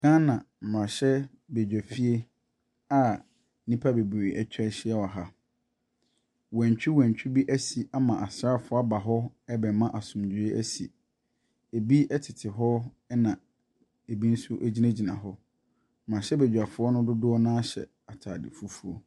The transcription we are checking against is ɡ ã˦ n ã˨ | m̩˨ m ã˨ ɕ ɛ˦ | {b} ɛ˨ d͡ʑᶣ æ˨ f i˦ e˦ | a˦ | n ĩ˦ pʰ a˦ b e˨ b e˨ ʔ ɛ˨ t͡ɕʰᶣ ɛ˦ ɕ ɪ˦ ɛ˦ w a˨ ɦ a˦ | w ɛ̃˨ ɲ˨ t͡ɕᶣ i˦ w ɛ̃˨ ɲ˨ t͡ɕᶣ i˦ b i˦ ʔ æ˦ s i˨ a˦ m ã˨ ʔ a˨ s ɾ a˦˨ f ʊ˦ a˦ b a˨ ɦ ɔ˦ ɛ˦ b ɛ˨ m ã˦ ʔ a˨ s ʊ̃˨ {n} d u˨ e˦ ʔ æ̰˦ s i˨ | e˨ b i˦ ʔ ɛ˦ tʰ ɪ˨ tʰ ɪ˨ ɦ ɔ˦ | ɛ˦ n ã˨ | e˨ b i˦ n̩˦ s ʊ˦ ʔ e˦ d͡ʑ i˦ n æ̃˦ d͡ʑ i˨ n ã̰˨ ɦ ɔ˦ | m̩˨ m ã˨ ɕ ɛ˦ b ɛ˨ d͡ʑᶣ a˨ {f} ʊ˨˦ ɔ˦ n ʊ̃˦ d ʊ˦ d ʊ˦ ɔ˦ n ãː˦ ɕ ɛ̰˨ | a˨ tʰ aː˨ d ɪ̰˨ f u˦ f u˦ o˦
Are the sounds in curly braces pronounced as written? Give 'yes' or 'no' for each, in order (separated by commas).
yes, no, yes